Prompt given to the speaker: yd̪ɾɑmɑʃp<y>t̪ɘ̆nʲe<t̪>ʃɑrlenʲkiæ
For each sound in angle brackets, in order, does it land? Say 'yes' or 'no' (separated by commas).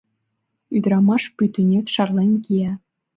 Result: yes, yes